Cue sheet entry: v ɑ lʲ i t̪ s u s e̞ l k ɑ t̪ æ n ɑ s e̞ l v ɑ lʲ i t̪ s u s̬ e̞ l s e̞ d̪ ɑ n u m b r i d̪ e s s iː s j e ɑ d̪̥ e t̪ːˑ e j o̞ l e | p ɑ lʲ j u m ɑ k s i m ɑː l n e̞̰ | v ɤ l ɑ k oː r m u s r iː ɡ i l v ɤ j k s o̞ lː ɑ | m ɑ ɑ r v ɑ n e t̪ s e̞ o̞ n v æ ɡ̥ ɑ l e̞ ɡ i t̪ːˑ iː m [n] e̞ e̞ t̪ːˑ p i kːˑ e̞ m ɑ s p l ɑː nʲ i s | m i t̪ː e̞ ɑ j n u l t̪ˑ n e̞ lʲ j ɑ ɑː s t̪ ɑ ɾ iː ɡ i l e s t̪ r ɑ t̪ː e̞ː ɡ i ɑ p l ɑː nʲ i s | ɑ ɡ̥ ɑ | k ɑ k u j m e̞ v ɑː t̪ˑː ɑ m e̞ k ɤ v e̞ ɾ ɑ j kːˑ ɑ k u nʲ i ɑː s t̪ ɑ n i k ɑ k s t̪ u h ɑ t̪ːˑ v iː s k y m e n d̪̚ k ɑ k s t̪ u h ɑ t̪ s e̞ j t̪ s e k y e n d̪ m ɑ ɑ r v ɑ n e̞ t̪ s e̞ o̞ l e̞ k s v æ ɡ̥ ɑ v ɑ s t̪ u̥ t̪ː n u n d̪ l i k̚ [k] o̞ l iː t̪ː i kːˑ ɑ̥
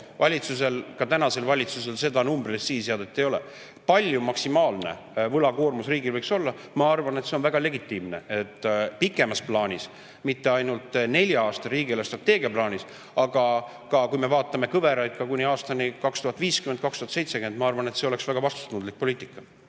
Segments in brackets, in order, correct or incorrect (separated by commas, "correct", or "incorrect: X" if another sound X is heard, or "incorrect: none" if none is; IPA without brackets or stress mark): correct, incorrect: p